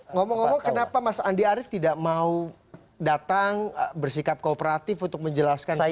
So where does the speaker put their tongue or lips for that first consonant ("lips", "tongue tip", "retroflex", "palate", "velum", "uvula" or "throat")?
velum